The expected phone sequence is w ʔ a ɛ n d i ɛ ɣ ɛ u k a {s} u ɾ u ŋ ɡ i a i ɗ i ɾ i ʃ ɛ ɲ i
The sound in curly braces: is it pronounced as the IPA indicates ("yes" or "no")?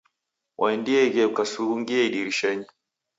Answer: yes